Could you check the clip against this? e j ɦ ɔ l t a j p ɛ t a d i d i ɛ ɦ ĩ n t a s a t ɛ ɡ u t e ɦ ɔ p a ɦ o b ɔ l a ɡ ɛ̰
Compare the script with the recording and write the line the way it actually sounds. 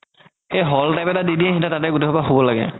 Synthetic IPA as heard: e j ɦ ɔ l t a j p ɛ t a d i d i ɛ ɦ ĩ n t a t a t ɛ ɡ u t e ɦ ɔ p a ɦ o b ɔ l a ɡ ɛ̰

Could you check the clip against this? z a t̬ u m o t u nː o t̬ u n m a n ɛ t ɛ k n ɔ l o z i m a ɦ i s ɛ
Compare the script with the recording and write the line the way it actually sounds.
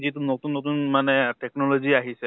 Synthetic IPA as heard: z i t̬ u n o t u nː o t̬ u n m a n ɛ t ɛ k n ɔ l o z i a ɦ i s ɛ

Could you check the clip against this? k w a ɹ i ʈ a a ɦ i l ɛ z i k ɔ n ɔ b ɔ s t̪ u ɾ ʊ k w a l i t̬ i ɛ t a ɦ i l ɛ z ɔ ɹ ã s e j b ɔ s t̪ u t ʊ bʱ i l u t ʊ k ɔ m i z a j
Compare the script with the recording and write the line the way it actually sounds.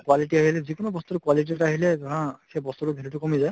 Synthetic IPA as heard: k w a l i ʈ i a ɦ i l ɛ z i k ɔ n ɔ b ɔ s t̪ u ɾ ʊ k w a l i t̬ i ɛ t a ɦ i l ɛ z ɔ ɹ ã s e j b ɔ s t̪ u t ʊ bʱ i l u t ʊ k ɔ m i z a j

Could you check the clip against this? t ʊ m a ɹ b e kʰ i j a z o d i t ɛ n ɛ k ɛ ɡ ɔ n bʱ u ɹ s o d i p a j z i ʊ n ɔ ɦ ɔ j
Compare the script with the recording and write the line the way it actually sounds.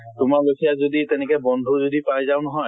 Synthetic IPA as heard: t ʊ m a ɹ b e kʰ i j a z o d i t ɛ n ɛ k ɛ b ɔ n dʱ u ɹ z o d i p a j z a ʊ n ɔ ɦ ɔ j

